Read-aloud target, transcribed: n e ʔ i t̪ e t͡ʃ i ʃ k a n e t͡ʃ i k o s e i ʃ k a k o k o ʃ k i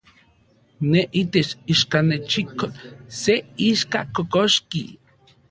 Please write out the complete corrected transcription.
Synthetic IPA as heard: n e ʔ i t̪ e t͡ʃ i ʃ k a n e t͡ʃ i k o s e i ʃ k a k o k o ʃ k i